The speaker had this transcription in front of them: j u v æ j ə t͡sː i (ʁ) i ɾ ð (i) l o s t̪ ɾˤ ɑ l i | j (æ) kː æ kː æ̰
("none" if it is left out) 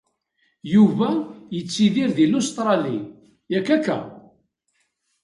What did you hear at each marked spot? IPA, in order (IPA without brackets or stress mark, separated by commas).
ð, i, æ